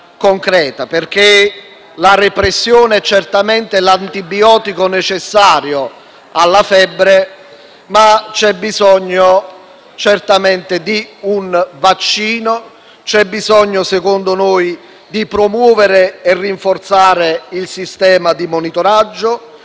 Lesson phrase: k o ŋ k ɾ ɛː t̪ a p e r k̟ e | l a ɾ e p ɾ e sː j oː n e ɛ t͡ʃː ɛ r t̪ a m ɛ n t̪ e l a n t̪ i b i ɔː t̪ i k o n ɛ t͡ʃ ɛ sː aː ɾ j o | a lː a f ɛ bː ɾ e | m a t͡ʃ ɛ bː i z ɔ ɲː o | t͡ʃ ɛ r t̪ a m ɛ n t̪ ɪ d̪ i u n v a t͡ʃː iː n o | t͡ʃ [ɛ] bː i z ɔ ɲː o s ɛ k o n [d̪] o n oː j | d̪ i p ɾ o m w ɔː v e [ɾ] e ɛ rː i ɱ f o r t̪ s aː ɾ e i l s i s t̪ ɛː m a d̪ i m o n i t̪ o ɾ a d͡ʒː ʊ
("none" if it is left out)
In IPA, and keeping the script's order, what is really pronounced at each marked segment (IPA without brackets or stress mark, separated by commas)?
ɛ, d̪, ɾ